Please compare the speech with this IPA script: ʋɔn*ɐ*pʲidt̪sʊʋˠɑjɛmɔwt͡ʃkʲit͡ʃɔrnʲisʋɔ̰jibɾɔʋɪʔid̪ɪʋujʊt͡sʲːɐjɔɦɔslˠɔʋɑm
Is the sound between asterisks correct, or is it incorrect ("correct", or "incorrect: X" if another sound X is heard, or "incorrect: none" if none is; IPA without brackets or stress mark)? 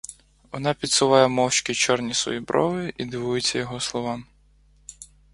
incorrect: ɑ